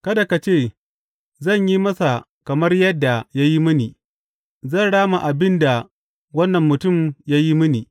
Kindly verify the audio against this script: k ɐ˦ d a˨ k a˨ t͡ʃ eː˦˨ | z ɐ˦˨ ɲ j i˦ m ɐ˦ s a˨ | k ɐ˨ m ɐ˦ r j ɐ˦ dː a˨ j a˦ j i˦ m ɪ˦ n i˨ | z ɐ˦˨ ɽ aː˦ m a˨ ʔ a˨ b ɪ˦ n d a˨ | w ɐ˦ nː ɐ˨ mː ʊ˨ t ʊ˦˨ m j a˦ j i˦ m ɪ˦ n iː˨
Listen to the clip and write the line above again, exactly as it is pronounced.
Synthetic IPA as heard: k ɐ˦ d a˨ k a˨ t͡ʃ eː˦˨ | z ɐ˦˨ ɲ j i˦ m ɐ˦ s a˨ | k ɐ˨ m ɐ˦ r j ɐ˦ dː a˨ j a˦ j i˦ m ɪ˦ n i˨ | z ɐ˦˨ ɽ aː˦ m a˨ ʔ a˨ b ɪ˦ n d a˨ | w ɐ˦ nː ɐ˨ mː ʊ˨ t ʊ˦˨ m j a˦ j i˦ m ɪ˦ n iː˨